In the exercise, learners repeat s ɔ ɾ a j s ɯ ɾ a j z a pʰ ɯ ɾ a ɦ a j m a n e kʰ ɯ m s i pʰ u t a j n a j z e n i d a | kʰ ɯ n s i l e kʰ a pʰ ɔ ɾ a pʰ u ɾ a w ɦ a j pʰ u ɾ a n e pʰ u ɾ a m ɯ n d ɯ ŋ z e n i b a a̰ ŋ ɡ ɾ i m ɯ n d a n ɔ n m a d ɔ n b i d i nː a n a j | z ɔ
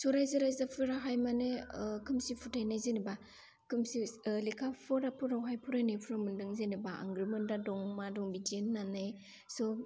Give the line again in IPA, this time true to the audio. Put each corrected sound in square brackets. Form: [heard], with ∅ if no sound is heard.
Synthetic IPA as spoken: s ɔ ɾ a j [z] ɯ ɾ a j z a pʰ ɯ ɾ a ɦ a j m a n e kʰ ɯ m s i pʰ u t a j n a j z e n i [b] a | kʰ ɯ [m] s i l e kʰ a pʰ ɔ ɾ a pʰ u ɾ a w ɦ a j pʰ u ɾ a n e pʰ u ɾ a m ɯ n d ɯ ŋ z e n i b a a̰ ŋ ɡ ɾ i m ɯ n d a [d] ɔ [ŋ] m a d ɔ [ŋ] b i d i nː a n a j | [s] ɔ

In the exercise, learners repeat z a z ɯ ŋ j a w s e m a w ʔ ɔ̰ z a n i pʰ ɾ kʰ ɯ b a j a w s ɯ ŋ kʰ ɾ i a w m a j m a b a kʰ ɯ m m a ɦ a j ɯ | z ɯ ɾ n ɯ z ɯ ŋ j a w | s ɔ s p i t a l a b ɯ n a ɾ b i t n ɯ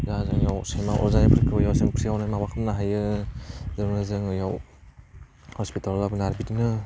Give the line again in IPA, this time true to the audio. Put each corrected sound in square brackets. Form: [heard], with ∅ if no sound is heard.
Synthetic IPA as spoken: z a z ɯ ŋ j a w s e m a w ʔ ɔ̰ z a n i pʰ ɾ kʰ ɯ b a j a w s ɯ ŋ [pʰ] ɾ i a w [n] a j m a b a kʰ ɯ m [n] a ɦ a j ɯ | z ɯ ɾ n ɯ z ɯ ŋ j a w | [h] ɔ s p i t a l a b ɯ n a ɾ b i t n ɯ

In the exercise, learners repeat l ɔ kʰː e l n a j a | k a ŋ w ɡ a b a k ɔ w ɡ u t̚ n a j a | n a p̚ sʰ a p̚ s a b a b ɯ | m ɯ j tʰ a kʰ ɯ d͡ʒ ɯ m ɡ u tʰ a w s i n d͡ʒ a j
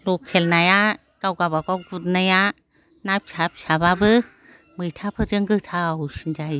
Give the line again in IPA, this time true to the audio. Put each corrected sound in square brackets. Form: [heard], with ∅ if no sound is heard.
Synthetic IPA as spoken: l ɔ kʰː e l n a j a | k a [∅] w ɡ a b a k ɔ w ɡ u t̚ n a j a | n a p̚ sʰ a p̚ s a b a b ɯ | m ɯ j tʰ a [pʰ] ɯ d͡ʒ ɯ [ŋ] ɡ [ɯ] tʰ a w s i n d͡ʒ a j

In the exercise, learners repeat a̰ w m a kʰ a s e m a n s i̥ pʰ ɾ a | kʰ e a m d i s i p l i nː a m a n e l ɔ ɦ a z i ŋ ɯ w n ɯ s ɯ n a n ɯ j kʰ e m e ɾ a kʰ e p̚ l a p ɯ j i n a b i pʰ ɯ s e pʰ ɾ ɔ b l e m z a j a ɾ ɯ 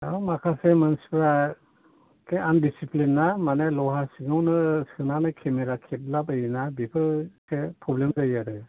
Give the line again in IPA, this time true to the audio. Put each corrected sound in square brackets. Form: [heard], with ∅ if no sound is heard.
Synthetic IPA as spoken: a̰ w m a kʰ a s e m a n s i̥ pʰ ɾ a | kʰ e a [n] d i s i p l i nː a m a n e l ɔ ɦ a [s] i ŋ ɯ w n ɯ s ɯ n a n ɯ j kʰ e m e ɾ a kʰ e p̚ l a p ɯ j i n a b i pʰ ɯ s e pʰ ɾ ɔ b l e m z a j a ɾ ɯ

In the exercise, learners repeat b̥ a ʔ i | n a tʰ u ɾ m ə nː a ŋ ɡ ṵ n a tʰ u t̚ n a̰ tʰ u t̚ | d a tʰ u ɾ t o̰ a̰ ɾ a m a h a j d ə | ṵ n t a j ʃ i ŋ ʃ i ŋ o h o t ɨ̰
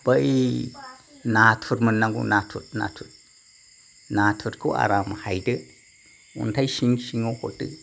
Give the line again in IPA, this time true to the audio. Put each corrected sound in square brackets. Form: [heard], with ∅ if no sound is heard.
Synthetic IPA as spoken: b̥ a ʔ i | n a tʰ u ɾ m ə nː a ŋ ɡ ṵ n a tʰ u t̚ n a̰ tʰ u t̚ | [n] a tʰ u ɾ [k] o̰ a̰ ɾ a m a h a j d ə | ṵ n t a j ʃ i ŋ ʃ i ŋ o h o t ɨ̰

